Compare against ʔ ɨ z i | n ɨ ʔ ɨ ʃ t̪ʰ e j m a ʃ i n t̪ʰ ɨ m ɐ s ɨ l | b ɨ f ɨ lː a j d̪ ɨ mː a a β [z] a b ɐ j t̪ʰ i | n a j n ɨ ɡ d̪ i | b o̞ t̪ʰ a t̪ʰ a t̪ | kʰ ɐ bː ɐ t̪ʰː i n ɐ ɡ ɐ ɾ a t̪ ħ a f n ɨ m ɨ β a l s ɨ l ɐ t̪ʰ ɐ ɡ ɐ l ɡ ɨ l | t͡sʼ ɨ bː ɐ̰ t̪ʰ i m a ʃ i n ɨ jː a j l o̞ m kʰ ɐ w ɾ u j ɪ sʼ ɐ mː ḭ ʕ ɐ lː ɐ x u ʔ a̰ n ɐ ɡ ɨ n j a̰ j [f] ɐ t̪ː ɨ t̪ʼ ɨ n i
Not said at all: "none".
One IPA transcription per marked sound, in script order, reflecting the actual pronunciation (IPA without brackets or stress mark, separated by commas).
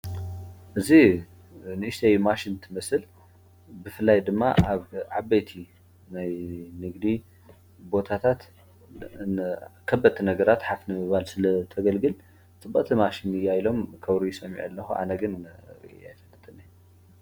ʕ, f